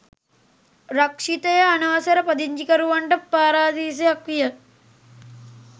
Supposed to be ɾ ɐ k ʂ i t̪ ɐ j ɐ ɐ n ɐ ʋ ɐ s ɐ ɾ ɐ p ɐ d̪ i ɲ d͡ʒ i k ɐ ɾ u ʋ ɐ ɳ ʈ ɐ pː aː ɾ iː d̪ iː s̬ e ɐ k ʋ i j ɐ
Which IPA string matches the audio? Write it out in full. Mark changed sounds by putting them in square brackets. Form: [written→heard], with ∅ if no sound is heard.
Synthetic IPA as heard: ɾ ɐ k ʂ i t̪ ɐ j ɐ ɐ n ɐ ʋ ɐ s ɐ ɾ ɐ p ɐ d̪ i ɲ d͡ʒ i k ɐ ɾ u ʋ ɐ ɳ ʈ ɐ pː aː ɾ [iː→aː] d̪ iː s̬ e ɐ k ʋ i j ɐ